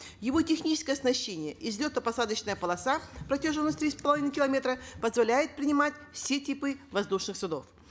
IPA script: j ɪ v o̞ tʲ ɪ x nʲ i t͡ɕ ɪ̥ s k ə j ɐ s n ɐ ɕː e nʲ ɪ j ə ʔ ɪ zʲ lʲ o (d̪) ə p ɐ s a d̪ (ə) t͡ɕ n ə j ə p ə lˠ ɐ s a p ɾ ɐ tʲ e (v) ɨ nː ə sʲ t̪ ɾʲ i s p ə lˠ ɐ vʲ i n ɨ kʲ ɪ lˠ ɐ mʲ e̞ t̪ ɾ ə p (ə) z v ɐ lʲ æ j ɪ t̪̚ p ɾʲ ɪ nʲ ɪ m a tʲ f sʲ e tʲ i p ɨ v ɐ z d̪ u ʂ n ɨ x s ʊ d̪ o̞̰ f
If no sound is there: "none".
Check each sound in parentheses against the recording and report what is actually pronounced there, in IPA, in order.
t̪, ə, ʐ, ə

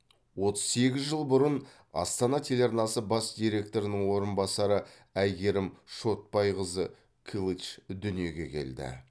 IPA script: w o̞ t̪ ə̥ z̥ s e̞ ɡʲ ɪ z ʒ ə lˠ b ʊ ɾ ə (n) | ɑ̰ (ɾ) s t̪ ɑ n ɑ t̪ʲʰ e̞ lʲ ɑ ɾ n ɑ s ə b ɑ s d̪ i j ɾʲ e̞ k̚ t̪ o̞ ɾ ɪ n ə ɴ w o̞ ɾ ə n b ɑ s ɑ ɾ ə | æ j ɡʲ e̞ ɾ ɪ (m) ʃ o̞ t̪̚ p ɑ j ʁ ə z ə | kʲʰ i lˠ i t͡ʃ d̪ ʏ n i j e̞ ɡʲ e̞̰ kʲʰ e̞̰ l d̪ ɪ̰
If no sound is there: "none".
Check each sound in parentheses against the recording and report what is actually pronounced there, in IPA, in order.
n, none, m

